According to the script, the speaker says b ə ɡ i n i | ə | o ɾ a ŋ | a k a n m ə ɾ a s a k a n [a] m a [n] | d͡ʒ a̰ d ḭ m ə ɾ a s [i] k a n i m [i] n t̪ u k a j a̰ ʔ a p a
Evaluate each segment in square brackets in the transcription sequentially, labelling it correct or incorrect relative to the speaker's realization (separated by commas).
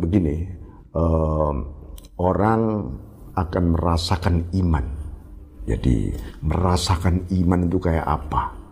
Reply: incorrect, correct, incorrect, incorrect